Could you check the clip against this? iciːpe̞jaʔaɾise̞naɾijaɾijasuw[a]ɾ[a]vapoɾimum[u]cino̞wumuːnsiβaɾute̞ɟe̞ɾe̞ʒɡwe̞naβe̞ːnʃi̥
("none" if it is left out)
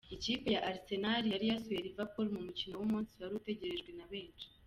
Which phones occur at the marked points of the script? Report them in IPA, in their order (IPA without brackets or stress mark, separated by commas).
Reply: e, i, u